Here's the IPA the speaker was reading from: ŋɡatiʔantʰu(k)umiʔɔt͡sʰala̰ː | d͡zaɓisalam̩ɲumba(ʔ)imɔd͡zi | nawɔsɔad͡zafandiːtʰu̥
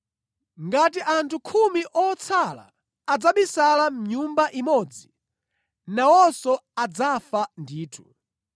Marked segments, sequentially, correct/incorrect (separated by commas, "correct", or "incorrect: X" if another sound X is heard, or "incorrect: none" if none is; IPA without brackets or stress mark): incorrect: kʰ, correct